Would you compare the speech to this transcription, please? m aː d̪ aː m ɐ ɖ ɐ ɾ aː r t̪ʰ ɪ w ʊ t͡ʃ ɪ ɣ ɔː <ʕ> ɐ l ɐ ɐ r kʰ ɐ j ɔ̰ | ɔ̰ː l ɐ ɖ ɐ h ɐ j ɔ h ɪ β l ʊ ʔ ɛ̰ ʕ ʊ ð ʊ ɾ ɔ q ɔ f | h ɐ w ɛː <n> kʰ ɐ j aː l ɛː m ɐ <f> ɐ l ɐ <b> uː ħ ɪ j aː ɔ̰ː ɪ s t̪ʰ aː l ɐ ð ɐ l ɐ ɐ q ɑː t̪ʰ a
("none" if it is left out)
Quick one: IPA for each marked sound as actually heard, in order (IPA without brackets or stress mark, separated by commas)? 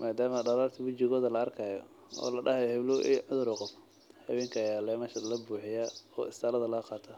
ð, ŋ, ʃ, b